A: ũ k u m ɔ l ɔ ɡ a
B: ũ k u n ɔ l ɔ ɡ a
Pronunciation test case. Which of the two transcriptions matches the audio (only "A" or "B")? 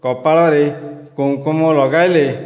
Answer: A